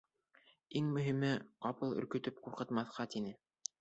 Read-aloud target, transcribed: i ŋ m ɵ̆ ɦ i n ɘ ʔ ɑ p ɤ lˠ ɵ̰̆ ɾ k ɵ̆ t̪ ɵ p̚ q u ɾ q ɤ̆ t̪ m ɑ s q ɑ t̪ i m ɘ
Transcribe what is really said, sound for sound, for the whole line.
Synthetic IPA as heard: i ŋ m ɵ̆ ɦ i m ɘ q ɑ p ɤ lˠ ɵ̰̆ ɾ k ɵ̆ t̪ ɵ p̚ q u ɾ q ɤ̆ t̪ m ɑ θ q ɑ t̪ i n ɘ